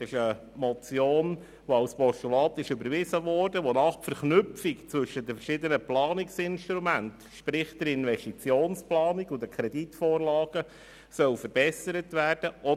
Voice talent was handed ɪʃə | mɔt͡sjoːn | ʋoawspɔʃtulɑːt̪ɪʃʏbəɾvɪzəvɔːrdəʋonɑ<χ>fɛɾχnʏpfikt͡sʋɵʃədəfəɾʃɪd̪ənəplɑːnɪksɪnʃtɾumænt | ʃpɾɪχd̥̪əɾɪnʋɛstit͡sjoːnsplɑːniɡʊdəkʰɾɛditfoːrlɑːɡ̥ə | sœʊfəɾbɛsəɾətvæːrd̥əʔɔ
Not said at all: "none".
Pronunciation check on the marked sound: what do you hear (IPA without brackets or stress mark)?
χ